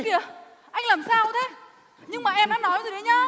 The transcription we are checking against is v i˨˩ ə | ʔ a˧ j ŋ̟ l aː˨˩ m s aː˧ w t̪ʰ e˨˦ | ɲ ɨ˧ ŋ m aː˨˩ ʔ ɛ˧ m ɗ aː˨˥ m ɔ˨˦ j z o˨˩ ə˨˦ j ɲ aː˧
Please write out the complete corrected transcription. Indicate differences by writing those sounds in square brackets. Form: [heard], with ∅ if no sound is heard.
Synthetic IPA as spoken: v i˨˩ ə | ʔ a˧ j ŋ̟ l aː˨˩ m s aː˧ w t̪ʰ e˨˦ | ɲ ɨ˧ ŋ m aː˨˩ ʔ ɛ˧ m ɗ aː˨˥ [n] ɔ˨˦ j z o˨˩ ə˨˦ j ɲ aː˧